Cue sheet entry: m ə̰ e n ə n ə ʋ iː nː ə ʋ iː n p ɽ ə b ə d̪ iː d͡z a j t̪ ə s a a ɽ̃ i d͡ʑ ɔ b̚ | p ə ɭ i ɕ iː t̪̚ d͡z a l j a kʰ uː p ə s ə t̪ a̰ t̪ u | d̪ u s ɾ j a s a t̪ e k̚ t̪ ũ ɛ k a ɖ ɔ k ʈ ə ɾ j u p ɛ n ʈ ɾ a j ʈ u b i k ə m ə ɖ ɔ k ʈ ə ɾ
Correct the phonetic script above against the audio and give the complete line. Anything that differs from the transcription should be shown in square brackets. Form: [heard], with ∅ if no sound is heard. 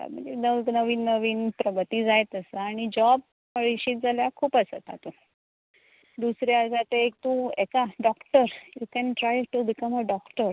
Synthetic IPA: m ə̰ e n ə n ə ʋ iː nː ə ʋ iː n p [ɾ] ə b ə [t̪] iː d͡z a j t̪ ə s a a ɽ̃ i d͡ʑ ɔ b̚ | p ə ɭ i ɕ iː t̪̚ d͡z a l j a kʰ uː p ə s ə t̪ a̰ t̪ u | d̪ u s ɾ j a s a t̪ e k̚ t̪ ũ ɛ k a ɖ ɔ k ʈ ə ɾ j u [k] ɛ n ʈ ɾ a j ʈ u b i k ə m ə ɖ ɔ k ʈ ə ɾ